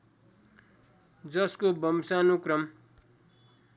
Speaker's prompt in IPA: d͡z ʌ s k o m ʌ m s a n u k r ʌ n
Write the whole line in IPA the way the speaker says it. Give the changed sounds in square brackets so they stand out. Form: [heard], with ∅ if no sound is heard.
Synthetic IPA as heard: d͡z ʌ s k o [b] ʌ m s a n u k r ʌ [m]